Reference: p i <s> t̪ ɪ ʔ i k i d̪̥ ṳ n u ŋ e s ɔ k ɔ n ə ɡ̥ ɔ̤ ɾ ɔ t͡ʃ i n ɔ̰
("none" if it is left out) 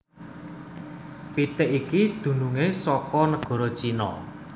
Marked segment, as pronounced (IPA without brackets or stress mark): none